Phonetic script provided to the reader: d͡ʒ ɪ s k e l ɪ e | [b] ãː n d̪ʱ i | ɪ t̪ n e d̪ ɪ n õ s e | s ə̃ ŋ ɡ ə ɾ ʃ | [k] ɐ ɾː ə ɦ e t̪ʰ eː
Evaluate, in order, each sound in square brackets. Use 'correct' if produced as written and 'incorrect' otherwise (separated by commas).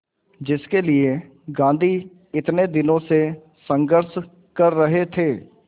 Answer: incorrect, correct